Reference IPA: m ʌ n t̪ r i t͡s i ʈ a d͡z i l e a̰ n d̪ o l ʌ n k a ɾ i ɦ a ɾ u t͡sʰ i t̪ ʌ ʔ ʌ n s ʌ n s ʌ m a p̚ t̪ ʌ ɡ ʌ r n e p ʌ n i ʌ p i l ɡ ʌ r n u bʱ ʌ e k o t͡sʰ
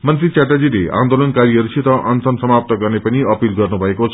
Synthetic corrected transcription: m ʌ n t̪ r i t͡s a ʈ a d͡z i l e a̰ n d̪ o l ʌ n k a ɾ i ɦ ʌ ɾ u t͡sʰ i t̪ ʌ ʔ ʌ n s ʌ n s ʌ m a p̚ t̪ ʌ ɡ ʌ r n e p ʌ n i ʌ p i l ɡ ʌ r n u bʱ ʌ e k o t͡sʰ